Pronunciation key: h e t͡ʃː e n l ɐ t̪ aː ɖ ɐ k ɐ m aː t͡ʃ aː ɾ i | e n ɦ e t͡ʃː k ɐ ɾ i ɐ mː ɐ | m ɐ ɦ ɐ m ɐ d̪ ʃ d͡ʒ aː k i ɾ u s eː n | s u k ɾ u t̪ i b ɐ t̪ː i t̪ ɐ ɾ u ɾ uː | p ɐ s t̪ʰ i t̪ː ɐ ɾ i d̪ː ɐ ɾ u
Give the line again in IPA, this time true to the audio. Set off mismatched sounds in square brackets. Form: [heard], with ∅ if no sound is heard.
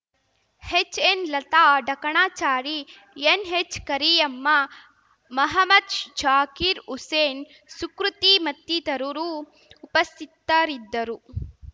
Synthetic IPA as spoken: h e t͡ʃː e n l ɐ t̪ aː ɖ ɐ k ɐ [ɳ] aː t͡ʃ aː ɾ i | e n ɦ e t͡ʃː k ɐ ɾ i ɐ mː ɐ | m ɐ ɦ ɐ m ɐ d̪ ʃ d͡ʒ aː k i ɾ u s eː n | s u k ɾ u t̪ i [m] ɐ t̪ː i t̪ ɐ ɾ u ɾ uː | p ɐ s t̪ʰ i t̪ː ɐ ɾ i d̪ː ɐ ɾ u